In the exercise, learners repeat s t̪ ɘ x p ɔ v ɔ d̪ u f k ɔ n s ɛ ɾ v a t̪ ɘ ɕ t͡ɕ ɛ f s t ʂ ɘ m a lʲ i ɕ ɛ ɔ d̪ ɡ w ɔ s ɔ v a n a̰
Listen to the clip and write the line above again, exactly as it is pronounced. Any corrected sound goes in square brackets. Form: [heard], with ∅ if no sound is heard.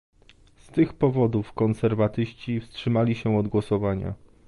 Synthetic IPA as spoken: s t̪ ɘ x p ɔ v ɔ d̪ u f k ɔ n s ɛ ɾ v a t̪ ɘ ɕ t͡ɕ [i] f s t ʂ ɘ m a lʲ i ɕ ɛ ɔ d̪ ɡ w ɔ s ɔ v a [ɲ] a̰